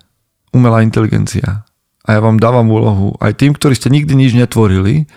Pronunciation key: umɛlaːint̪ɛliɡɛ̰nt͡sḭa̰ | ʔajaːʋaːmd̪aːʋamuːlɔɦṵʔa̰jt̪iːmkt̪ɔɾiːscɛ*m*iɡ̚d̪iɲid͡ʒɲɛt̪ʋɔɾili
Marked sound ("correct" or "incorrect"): incorrect